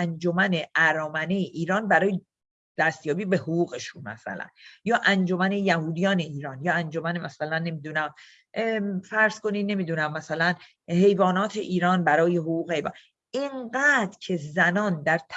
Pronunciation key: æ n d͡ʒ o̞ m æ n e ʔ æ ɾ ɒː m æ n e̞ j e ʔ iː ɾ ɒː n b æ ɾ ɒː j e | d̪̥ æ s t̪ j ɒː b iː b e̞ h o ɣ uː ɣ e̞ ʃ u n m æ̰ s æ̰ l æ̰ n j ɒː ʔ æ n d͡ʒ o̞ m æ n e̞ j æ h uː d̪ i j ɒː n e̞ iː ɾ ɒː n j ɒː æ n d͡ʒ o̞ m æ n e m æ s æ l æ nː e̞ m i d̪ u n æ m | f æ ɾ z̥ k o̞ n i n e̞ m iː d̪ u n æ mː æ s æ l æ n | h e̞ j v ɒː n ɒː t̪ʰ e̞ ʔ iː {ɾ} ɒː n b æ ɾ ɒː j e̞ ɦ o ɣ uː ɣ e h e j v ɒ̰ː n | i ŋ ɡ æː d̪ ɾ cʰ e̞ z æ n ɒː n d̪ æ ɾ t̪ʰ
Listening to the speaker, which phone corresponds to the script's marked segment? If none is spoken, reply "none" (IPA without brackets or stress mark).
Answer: ɾ